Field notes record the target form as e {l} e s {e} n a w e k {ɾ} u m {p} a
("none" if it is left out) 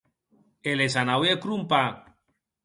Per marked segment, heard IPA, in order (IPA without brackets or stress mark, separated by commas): l, a, ɾ, p